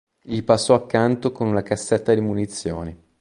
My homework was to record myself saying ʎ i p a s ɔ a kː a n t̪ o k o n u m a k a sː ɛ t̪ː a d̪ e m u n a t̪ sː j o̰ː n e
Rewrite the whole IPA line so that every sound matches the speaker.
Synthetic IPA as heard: ʎ i p a sː ɔ a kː a n t̪ o k o n u n a k a sː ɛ t̪ː a d̪ i m u n i t̪ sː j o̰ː n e

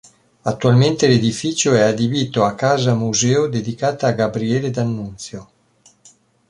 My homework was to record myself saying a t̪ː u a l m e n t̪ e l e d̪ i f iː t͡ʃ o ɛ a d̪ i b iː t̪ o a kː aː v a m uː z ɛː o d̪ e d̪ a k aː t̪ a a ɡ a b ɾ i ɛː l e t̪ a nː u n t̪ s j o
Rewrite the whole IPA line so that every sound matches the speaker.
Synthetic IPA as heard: a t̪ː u a l m e n t̪ e l e d̪ i f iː t͡ʃ o ɛ a d̪ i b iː t̪ o a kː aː z a m u z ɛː o d̪ e d̪ i k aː t̪ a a ɡ a b ɾ i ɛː l e d̪ a nː u n t̪ s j o

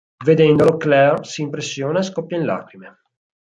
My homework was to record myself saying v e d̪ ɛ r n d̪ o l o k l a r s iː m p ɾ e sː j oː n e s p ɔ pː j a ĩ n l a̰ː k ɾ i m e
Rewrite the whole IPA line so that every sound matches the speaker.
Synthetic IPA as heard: v e d̪ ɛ n d̪ o l o k l ɛ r s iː m p ɾ e sː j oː n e s k ɔ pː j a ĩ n l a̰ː k ɾ i m e

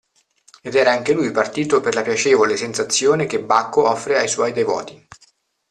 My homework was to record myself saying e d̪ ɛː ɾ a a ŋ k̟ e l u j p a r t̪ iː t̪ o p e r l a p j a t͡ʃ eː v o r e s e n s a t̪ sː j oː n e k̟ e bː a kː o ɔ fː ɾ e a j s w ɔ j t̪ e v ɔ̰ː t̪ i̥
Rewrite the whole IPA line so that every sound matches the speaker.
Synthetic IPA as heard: e d̪ ɛː ɾ a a ŋ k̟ e l u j p a r t̪ iː t̪ o p e r l a p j a t͡ʃ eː v o l e s e n s a t̪ sː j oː n e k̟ e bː a kː o ɔ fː ɾ e a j s w ɔ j d̪ e v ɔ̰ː t̪ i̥

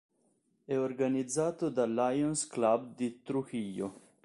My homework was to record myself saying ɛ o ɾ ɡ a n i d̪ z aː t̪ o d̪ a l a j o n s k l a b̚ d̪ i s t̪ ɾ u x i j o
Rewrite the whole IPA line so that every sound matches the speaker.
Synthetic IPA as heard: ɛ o ɾ ɡ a n i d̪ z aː t̪ o d̪ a l a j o n s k l a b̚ d̪ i t̪ ɾ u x i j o

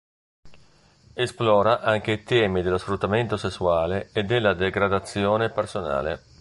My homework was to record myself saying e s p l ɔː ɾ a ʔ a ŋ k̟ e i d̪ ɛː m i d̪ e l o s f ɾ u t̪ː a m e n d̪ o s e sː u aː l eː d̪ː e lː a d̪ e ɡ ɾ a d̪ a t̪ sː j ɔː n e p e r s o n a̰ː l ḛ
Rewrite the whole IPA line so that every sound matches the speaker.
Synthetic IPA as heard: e s p l ɔː ɾ a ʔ a ŋ k̟ e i t̪ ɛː m i d̪ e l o s f ɾ u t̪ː a m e n t̪ o s e sː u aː l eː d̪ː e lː a d̪ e ɡ ɾ a d̪ a t̪ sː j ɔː n e p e r s o n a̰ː l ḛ

